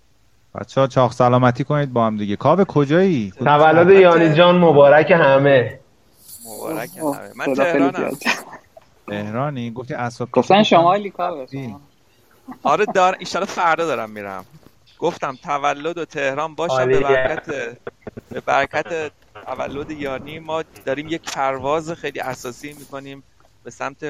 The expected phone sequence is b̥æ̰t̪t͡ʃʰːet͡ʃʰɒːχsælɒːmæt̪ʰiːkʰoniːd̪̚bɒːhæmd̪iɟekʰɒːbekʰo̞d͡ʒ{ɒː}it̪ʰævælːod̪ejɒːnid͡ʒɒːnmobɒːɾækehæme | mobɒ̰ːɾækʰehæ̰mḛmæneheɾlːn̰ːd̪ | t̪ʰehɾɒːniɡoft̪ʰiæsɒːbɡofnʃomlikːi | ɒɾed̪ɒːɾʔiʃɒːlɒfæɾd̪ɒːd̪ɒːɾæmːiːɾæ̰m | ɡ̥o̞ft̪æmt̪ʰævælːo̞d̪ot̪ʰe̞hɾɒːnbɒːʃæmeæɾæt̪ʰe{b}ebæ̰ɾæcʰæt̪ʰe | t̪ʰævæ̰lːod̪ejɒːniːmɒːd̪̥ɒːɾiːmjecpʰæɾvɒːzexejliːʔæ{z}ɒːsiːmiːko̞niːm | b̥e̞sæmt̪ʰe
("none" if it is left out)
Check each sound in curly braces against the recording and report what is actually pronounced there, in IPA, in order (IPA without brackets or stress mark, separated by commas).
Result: ɒː, b, s